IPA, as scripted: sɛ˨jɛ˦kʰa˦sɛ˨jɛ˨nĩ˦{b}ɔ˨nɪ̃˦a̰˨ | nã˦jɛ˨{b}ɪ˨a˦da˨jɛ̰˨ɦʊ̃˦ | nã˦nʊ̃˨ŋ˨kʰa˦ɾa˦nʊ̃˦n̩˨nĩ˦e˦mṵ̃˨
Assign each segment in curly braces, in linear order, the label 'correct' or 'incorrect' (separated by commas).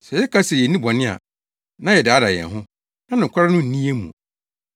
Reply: correct, incorrect